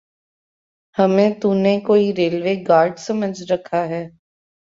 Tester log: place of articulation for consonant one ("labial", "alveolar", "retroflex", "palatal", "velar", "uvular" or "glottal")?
glottal